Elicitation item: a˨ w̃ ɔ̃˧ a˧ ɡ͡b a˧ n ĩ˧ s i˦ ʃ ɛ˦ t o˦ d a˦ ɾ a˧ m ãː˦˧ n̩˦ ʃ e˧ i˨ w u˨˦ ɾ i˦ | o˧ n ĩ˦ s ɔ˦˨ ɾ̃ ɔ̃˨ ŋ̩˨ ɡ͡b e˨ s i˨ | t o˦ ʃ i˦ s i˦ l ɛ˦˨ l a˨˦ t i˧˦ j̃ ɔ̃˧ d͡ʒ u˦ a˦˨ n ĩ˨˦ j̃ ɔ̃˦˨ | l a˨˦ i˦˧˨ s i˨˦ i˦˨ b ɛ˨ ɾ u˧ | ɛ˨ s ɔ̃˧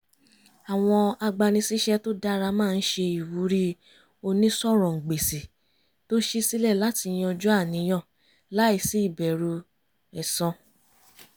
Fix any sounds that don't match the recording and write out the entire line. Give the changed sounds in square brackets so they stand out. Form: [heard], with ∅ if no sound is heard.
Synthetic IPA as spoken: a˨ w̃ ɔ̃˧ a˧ ɡ͡b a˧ n ĩ˧ s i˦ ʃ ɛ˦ t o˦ d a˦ ɾ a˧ m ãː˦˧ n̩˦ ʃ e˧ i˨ w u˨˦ ɾ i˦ | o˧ n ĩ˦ s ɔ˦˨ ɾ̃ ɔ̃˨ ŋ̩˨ ɡ͡b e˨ s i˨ | t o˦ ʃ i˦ s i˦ l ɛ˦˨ l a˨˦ t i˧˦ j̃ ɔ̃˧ d͡ʒ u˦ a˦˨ n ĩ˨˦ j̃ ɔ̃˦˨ | l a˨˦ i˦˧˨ s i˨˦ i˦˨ b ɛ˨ ɾ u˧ | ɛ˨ s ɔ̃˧